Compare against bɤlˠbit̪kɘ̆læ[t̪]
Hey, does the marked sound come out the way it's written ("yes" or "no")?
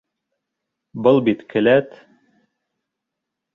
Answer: yes